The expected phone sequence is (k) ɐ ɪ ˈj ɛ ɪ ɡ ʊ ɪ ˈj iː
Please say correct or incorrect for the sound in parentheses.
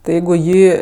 incorrect